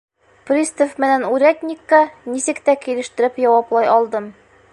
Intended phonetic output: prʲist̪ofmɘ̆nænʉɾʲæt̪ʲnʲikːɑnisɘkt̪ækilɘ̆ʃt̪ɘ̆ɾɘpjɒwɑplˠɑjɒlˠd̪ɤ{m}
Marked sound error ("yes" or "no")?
no